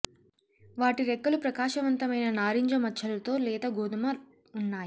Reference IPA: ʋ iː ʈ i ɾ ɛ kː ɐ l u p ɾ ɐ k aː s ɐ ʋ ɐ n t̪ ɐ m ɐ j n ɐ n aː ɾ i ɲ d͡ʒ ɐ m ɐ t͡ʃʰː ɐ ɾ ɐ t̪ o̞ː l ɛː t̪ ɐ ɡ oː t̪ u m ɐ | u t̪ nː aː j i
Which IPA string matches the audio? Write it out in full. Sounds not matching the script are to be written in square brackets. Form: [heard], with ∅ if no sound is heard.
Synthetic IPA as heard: ʋ [aː] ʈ i ɾ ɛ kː ɐ l u p ɾ ɐ k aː [ʃ] ɐ ʋ ɐ n t̪ ɐ m ɐ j n ɐ n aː ɾ i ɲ d͡ʒ ɐ m ɐ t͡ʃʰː ɐ [l] ɐ t̪ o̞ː l ɛː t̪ ɐ ɡ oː [d̪] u m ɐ | u [∅] nː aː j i